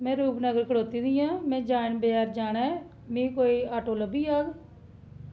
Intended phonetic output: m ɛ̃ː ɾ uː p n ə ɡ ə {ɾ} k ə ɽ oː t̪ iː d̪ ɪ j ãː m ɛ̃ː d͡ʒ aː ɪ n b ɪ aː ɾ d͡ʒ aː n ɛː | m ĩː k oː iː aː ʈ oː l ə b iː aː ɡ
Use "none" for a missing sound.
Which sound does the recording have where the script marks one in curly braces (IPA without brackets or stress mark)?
ɾ